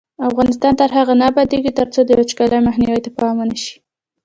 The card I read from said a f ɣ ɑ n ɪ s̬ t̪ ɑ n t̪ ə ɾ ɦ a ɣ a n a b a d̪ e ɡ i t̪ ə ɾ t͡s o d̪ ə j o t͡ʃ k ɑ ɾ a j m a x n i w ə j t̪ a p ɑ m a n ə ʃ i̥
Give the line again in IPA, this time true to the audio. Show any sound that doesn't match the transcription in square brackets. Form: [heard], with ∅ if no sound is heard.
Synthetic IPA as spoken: a f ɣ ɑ n ɪ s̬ t̪ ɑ n t̪ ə ɾ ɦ a ɣ a n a b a d̪ e ɡ i t̪ ə ɾ t͡s o d̪ ə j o t͡ʃ k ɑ [l] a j m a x n i w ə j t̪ a p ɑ m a n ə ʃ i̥

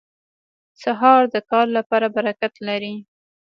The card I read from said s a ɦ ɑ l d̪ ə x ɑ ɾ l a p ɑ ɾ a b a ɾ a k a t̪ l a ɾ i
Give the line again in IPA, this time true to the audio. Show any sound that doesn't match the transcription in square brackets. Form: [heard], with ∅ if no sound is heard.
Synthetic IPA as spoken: s a ɦ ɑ [ɾ] d̪ ə [k] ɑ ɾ l a p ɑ ɾ a b a ɾ a k a t̪ l a ɾ i

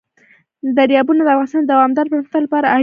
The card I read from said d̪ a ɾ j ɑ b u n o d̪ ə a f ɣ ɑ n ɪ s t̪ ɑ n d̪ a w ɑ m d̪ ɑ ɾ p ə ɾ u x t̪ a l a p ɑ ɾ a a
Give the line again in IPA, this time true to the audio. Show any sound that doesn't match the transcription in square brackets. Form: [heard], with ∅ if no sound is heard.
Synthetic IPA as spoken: d̪ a ɾ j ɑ b u n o d̪ ə a f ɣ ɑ n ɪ s t̪ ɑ n d̪ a w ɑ m d̪ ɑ ɾ p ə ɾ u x t̪ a l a p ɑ ɾ a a

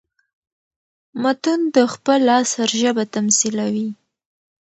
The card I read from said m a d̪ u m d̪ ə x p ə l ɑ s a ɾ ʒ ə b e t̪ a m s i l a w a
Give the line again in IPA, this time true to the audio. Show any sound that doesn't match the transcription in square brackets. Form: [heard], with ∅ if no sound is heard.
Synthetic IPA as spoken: m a [t̪] u [n] d̪ ə x p ə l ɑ s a ɾ ʒ ə b [a] t̪ a m s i l a w [i]

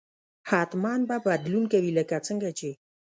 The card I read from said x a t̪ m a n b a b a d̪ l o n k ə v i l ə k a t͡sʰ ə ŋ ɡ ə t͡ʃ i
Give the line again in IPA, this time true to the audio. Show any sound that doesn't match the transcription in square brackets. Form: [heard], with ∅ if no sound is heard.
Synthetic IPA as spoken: [h] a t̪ m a n b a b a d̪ l [u] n k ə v i l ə k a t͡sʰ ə ŋ ɡ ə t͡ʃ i

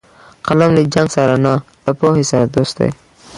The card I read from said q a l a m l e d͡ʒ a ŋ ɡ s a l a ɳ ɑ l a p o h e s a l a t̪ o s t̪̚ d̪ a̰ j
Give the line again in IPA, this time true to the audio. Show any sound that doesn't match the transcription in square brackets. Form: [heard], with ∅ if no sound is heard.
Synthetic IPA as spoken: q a l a m l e d͡ʒ a ŋ ɡ s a [ɾ] a [n] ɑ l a p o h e s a [ɾ] a [d̪] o s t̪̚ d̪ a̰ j

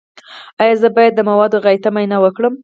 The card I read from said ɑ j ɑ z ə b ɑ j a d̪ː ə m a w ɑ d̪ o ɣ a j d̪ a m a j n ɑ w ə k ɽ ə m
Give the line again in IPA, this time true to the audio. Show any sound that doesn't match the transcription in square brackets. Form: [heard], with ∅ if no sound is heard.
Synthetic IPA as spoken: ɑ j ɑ z ə b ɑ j a d̪ː ə m a w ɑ d̪ o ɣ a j [t̪] a m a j n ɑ w ə k ɽ ə m

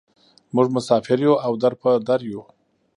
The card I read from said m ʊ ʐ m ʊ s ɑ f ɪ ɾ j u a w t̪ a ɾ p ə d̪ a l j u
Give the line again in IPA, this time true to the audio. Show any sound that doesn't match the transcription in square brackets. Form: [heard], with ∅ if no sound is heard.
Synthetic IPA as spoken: m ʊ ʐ m ʊ s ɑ f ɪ ɾ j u a w [d̪] a ɾ p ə d̪ a [ɾ] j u

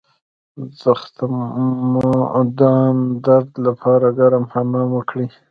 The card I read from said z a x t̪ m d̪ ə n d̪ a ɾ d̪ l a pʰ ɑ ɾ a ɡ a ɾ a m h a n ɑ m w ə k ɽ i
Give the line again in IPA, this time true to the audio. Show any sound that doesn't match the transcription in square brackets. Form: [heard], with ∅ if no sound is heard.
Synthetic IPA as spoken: z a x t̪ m d̪ [ɑ] n d̪ a ɾ d̪ l a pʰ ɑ ɾ a ɡ a ɾ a m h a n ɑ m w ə k ɽ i

